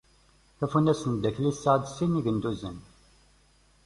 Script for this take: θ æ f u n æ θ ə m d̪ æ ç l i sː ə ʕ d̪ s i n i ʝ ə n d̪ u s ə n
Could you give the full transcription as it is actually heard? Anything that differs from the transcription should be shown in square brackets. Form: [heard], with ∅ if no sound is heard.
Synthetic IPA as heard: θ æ f u n æ [s] ə [n] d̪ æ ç l i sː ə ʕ d̪ s i n i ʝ ə n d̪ u [z] ə n